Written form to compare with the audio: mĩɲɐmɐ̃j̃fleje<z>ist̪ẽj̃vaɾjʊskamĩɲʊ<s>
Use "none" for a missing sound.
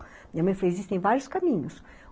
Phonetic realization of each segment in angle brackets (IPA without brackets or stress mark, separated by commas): z, s